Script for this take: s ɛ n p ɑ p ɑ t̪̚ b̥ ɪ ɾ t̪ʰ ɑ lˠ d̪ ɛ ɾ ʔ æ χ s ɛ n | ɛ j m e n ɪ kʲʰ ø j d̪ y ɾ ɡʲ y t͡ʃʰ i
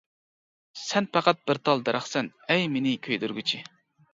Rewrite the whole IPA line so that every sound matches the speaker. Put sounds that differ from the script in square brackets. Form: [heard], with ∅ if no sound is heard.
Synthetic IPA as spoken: s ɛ n p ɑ [q] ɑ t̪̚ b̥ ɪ ɾ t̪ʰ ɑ lˠ d̪ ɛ ɾ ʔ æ χ s ɛ n | ɛ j m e n ɪ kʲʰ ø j d̪ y ɾ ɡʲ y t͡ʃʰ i